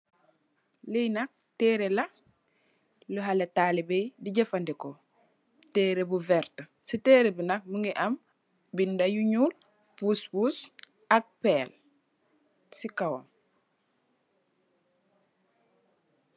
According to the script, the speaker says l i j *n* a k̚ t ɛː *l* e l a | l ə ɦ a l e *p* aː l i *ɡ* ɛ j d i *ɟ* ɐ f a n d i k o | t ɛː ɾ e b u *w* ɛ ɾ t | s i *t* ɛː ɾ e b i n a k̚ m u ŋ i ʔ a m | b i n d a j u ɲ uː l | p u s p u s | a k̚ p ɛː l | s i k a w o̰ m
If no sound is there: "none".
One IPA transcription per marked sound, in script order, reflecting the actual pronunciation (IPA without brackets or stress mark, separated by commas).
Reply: n, ɾ, t, b, ɟ, v, t